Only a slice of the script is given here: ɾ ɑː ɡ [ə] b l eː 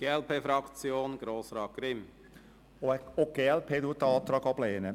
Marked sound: incorrect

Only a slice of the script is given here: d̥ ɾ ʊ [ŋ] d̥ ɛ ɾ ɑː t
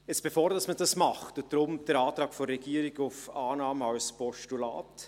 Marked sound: incorrect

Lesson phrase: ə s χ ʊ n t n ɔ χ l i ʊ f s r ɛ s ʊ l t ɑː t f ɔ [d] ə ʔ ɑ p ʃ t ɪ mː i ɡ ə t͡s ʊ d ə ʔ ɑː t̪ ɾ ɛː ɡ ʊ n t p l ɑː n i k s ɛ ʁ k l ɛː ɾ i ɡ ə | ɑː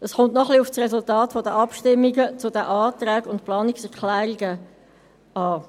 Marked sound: correct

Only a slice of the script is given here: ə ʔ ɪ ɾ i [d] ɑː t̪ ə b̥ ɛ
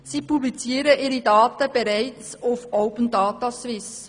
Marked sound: correct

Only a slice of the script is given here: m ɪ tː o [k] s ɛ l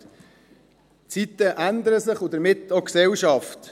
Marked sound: correct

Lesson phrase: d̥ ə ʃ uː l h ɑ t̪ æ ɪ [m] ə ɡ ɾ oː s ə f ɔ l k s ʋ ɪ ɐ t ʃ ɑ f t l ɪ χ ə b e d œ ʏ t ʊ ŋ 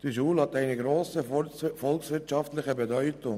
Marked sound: incorrect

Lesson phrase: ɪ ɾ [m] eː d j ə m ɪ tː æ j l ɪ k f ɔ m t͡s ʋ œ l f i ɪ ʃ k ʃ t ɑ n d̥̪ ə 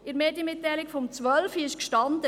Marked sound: correct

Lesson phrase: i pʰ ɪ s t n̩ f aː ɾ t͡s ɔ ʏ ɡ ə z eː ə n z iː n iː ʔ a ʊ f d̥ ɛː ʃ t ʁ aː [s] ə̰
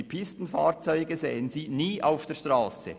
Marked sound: correct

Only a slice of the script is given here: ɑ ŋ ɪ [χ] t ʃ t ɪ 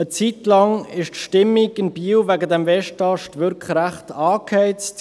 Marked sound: incorrect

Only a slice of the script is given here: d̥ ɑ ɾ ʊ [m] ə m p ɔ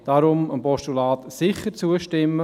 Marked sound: correct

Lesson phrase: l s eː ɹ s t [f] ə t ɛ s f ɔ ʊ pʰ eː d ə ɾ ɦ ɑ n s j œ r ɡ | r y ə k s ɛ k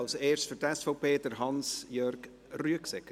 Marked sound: correct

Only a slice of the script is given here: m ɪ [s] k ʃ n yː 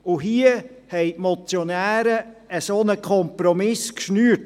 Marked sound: correct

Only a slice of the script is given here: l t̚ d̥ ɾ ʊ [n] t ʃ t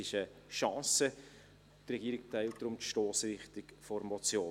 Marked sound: incorrect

